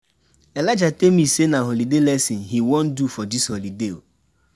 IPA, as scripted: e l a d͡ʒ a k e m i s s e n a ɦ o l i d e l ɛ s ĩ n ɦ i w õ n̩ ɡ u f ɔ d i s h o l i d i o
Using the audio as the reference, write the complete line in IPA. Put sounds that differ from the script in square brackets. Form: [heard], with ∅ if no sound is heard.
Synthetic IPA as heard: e l a d͡ʒ a [t] e m i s s e n a ɦ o l i d e l ɛ s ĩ n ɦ i w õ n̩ [d] u f ɔ d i s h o l i d [e] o